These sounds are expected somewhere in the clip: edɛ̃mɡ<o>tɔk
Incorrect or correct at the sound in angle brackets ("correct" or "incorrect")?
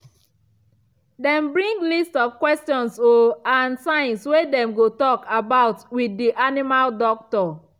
correct